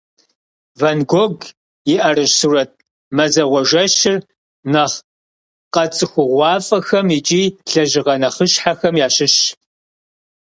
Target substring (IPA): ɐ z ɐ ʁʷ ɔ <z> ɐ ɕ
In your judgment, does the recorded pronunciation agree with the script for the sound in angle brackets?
no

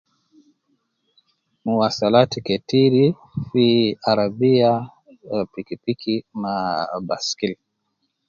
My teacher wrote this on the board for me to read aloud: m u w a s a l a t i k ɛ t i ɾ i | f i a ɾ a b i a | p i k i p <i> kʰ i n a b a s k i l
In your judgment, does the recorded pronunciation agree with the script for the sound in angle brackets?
yes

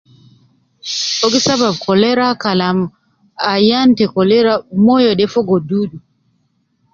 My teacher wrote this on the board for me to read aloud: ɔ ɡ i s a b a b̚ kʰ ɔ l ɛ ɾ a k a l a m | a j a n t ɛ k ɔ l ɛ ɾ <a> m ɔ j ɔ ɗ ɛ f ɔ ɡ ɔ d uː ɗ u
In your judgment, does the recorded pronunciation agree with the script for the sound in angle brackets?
yes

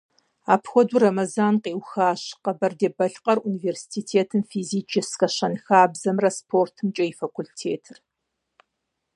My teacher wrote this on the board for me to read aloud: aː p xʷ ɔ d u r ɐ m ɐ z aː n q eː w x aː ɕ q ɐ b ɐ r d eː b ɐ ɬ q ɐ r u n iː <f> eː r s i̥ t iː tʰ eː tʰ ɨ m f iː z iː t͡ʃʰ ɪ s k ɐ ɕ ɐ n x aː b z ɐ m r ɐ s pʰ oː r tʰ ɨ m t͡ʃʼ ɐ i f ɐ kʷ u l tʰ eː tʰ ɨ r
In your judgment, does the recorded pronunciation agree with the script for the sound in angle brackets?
no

